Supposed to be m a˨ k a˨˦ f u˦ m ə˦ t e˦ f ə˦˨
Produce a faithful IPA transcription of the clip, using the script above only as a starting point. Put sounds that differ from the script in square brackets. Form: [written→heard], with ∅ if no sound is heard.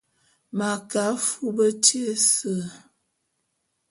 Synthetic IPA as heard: m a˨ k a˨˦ f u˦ [m→b] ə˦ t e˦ [f→s] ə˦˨